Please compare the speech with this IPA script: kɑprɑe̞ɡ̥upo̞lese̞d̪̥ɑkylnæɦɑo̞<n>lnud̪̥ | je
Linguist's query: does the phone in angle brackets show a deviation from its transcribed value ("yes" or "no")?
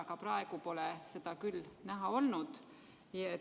yes